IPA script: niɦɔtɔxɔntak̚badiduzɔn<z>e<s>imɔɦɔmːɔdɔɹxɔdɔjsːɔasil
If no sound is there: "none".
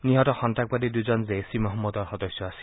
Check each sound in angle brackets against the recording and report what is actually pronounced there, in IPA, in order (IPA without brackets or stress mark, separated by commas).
z, s